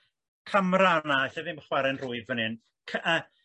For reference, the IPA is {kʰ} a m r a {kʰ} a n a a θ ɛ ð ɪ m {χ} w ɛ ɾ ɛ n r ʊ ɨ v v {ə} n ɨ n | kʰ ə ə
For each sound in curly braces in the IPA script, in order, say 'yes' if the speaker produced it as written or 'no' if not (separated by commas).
yes, no, yes, yes